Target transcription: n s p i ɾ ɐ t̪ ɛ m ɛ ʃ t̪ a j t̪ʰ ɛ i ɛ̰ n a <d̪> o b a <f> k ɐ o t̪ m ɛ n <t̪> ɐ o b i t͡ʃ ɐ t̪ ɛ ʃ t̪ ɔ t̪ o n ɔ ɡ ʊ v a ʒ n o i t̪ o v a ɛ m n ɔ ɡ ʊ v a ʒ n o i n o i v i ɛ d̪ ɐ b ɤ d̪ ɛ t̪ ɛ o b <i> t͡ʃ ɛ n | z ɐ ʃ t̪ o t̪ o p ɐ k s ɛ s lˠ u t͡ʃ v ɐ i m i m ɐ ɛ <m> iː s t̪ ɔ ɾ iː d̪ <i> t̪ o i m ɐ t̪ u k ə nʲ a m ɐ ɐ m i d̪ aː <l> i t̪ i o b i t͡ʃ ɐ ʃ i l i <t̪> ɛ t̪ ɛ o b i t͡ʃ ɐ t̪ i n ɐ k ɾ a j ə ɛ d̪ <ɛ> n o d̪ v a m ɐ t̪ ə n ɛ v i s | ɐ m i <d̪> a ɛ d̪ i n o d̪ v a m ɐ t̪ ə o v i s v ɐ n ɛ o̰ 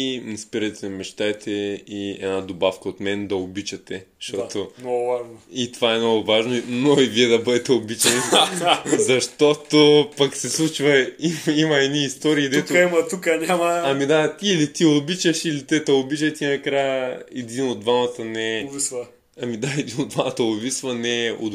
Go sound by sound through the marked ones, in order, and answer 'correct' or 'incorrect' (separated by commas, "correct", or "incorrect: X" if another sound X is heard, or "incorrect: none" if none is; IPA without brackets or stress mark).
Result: correct, correct, incorrect: d̪, correct, incorrect: n, incorrect: ɛ, correct, correct, incorrect: i, correct